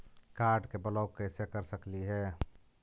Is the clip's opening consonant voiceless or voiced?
voiceless